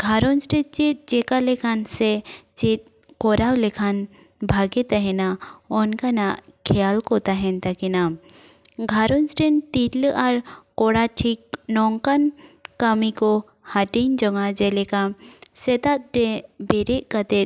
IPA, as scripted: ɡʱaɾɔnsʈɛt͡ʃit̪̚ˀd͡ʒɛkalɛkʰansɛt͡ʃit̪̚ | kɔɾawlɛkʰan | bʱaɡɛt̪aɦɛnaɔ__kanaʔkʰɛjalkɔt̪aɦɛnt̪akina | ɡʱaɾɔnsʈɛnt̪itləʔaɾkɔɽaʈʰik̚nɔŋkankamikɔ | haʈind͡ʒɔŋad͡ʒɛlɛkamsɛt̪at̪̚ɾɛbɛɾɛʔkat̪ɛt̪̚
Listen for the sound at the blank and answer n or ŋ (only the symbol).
n